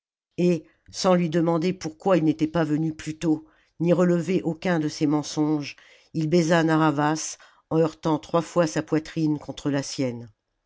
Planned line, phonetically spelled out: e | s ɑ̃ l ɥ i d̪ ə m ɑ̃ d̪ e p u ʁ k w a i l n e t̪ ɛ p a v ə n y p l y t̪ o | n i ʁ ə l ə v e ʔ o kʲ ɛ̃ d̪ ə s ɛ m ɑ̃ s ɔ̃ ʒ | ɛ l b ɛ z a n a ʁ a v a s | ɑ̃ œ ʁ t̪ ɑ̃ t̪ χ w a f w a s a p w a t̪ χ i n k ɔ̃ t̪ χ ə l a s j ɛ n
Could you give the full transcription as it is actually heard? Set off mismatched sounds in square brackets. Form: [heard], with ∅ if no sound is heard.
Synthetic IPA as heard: e | s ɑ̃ l ɥ i d̪ ə m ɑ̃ d̪ e p u ʁ k w a i l n e t̪ ɛ p a v ə n y p l y t̪ o | n i ʁ ə l ə v e ʔ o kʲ ɛ̃ d̪ ə s ɛ m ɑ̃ s ɔ̃ ʒ | [i] l b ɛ z a n a ʁ a v a s | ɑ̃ œ ʁ t̪ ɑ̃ t̪ χ w a f w a s a p w a t̪ χ i n k ɔ̃ t̪ χ ə l a s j ɛ n

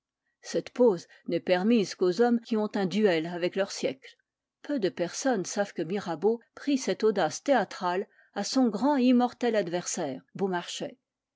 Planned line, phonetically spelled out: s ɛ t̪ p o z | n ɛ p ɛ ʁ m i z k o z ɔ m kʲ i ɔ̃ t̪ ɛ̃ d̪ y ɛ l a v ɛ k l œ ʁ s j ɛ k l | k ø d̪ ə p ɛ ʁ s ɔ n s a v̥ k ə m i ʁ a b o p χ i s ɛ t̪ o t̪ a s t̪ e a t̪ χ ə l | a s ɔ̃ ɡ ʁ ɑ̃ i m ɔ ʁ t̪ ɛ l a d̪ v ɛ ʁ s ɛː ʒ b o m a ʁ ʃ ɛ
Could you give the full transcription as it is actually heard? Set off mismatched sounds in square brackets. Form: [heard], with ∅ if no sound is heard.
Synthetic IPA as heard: s ɛ t̪ p o z | n ɛ p ɛ ʁ m i z k o z ɔ m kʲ i ɔ̃ t̪ ɛ̃ d̪ y ɛ l a v ɛ k l œ ʁ s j ɛ k l | [p] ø d̪ ə p ɛ ʁ s ɔ n s a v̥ k ə m i ʁ a b o p χ i s ɛ t̪ o [d̪] a s t̪ e a t̪ χ [a] l | a s ɔ̃ ɡ ʁ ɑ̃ i m ɔ ʁ t̪ ɛ l a d̪ v ɛ ʁ s ɛː [ʁ] b o m a ʁ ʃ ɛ

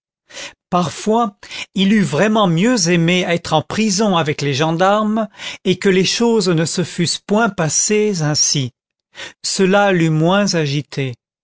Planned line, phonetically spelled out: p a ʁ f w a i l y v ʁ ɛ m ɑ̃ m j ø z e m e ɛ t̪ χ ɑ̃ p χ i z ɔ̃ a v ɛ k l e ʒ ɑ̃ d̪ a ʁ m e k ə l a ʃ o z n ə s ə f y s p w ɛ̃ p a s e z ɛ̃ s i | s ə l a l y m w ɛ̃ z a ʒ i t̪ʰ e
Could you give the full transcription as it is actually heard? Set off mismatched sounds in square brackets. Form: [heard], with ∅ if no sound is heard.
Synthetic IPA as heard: p a ʁ f w a i l y v ʁ ɛ m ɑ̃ m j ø z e m e ɛ t̪ χ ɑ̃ p χ i z ɔ̃ a v ɛ k l e ʒ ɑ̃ d̪ a ʁ m e k ə l [e] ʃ o z n ə s ə f y s p w ɛ̃ p a s e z ɛ̃ s i | s ə l a l y m w ɛ̃ z a ʒ i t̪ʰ e

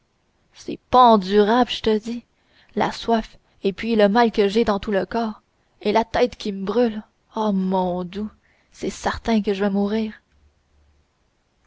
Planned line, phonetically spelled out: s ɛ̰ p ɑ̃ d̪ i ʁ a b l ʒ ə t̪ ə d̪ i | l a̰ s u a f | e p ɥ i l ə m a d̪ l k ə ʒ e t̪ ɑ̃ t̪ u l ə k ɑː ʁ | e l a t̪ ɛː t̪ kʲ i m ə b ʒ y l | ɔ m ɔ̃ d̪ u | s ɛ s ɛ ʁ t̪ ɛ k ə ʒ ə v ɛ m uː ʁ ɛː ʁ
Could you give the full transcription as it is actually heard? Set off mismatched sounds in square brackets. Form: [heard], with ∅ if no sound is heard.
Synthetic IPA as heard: s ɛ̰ p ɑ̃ d̪ [y] ʁ a b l ʒ ə t̪ ə d̪ i | l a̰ s [w] a f | e p ɥ i l ə m a [∅] l k ə ʒ e [d̪] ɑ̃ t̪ u l ə k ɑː ʁ | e l a t̪ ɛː t̪ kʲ i m ə b [ʁ] y l | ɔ m ɔ̃ d̪ u | s ɛ s ɛ ʁ t̪ [ɛ̃] k ə ʒ ə v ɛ m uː ʁ [iː] ʁ

